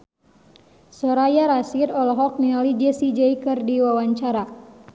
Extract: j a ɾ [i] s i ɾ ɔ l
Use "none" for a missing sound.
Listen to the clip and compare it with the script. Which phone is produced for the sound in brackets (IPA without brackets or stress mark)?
a